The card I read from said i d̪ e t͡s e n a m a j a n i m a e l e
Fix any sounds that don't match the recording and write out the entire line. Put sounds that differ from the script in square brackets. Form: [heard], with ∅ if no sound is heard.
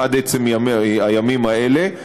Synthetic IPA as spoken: [a] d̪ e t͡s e [m] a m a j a [m] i m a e l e